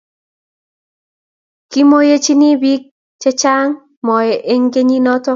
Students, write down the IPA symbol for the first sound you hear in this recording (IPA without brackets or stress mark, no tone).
k